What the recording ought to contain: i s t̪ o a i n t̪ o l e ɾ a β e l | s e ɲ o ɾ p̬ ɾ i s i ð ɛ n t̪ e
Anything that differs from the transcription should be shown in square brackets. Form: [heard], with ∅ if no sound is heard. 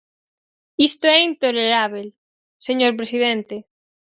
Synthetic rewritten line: i s t̪ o [ɛ] i n t̪ o l e ɾ a β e l | s e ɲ o ɾ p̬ ɾ [e] s i ð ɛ n t̪ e